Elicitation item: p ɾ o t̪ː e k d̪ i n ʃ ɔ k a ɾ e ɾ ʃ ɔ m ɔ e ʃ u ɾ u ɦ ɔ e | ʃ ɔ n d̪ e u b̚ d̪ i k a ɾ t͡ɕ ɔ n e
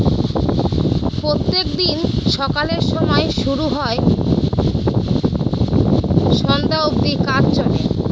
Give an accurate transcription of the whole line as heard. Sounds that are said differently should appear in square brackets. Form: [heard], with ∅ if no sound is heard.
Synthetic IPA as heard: p ɾ o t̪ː e k d̪ i n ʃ ɔ k a [l] e ɾ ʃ ɔ m ɔ e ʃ u ɾ u ɦ ɔ e | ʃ ɔ n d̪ [a] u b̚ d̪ i k a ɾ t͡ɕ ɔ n e